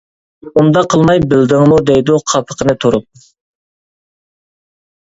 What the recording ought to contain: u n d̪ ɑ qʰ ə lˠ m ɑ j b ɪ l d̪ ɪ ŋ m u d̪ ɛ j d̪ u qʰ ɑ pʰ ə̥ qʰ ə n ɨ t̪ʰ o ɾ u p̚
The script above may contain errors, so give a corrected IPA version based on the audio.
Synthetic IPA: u n d̪ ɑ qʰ ə lˠ m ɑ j b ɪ l d̪ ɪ ŋ m u d̪ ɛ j d̪ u qʰ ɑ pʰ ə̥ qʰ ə n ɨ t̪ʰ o ɾ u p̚